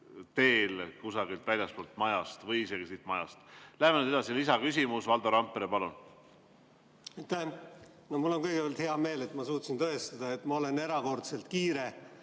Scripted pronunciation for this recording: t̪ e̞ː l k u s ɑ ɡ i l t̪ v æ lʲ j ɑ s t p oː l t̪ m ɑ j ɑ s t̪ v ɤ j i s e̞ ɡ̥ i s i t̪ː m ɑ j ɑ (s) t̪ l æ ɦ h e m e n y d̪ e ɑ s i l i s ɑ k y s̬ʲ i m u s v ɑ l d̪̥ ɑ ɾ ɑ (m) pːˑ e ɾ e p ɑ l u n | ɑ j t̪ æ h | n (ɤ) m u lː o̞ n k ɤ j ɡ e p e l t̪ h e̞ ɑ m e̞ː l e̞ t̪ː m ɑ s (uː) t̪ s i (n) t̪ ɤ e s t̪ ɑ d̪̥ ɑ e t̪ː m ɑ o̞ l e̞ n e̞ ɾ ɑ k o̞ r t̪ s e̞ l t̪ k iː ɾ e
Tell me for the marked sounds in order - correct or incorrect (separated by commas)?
correct, correct, incorrect, correct, correct